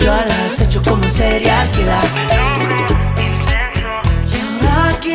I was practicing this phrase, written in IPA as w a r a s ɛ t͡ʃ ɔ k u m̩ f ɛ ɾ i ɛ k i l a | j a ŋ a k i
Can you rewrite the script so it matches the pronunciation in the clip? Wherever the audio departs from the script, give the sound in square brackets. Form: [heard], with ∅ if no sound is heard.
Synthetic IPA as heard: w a [l] a s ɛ t͡ʃ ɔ k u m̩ [s] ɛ ɾ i [a] k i l a | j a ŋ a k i

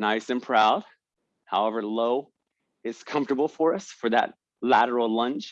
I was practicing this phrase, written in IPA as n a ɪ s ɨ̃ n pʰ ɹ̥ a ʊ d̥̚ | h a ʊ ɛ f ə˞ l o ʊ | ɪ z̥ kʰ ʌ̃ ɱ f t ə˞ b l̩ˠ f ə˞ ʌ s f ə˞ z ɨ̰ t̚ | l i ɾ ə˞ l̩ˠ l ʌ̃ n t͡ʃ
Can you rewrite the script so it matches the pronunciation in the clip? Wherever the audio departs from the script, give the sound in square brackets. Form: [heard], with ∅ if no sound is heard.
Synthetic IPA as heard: n a ɪ s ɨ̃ n pʰ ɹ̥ a ʊ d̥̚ | h a ʊ ɛ [v] ə˞ l o ʊ | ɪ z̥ kʰ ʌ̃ ɱ f t ə˞ b l̩ˠ f ə˞ ʌ s f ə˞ [ð] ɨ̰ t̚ | l [æ] ɾ ə˞ l̩ˠ l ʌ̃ n t͡ʃ

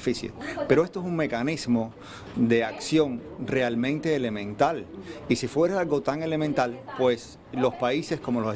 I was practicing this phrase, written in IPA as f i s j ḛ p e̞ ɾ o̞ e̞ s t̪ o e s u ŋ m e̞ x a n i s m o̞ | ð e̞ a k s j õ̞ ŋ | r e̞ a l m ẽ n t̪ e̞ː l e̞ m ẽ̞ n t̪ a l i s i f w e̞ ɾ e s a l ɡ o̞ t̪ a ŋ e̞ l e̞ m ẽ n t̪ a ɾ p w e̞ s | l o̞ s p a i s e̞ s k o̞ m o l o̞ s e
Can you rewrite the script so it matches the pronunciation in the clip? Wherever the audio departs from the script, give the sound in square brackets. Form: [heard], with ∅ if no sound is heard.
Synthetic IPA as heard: f i s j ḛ p e̞ ɾ o̞ e̞ s t̪ o e s u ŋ m e̞ [k] a n i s m o̞ | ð e̞ a k s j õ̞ ŋ | r e̞ a l m ẽ n t̪ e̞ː l e̞ m ẽ̞ n t̪ a l i s i f w e̞ ɾ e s a l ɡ o̞ t̪ a ŋ e̞ l e̞ m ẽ n t̪ a [l] p w e̞ s | l o̞ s p a i s e̞ s k o̞ m o l o̞ s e

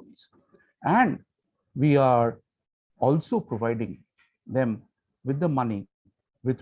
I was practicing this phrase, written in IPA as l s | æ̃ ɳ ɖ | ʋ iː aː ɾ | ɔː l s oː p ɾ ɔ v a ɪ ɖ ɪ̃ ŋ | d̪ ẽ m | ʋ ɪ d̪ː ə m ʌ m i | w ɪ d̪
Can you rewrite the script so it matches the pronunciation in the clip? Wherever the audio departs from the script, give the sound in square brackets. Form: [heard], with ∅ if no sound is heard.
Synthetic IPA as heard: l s | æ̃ ɳ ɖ | ʋ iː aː ɾ | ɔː l s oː p ɾ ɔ [ʋ] a ɪ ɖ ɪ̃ ŋ | d̪ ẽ m | ʋ ɪ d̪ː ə m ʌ [n] i | [ʋ] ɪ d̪

